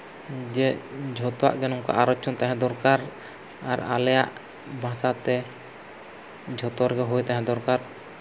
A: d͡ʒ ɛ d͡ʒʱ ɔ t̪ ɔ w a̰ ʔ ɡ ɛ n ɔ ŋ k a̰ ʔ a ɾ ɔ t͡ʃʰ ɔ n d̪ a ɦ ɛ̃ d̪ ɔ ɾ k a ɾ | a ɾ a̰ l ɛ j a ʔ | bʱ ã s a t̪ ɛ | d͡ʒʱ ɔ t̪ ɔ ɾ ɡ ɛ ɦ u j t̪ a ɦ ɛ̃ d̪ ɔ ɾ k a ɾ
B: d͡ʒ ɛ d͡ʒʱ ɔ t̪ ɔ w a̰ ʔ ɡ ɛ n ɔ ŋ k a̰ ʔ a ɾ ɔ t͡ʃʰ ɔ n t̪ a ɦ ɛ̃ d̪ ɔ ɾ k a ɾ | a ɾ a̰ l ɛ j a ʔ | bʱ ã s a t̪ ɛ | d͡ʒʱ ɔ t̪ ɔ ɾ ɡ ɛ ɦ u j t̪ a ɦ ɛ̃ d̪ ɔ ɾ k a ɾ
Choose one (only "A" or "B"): B